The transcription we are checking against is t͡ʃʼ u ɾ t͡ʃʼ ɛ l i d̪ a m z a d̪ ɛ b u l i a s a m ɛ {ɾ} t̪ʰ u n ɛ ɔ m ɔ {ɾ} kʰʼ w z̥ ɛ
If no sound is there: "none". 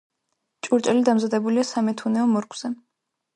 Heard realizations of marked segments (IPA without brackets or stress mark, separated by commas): none, ɾ